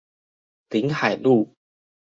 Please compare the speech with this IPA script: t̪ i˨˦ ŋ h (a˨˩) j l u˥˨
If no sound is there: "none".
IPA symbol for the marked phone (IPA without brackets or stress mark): a˨˩